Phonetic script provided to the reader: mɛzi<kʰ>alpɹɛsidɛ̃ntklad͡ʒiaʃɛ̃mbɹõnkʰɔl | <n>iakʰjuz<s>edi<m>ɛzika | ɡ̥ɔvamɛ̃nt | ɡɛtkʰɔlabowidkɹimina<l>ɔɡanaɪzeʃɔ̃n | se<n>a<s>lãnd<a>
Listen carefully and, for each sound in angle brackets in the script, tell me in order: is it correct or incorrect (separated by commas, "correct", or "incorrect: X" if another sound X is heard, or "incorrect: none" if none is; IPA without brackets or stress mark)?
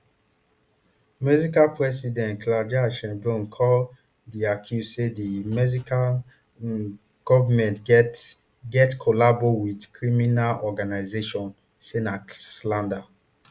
incorrect: k, incorrect: d, correct, correct, correct, correct, correct, correct